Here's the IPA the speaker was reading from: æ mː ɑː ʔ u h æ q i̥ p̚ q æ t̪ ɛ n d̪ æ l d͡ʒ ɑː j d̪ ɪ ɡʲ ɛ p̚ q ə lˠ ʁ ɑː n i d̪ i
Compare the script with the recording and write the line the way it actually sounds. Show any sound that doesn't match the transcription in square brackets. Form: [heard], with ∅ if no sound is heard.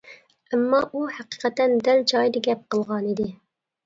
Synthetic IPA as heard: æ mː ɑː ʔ u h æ q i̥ [∅] q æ t̪ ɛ n d̪ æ l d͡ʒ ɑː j d̪ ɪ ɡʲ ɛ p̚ q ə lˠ ʁ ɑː n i d̪ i